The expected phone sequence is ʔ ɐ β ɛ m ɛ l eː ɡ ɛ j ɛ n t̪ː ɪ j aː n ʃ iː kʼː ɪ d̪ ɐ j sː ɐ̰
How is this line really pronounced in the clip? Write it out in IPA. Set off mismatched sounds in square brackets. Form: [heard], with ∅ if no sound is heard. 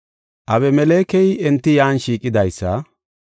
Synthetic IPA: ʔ ɐ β ɛ m ɛ l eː [k] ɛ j ɛ n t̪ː ɪ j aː n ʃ iː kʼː ɪ d̪ ɐ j sː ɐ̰